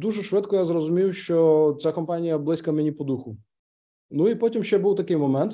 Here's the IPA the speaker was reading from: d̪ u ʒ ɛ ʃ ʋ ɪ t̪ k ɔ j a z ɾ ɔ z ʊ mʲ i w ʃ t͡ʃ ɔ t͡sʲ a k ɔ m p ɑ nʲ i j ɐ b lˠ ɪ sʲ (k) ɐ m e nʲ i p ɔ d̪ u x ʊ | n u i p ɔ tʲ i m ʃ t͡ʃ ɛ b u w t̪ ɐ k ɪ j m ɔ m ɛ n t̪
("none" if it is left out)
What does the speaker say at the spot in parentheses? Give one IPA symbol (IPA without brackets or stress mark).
k